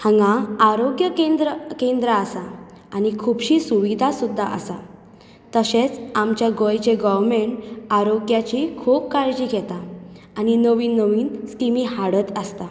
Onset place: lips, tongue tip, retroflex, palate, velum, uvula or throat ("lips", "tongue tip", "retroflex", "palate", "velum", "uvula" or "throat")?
throat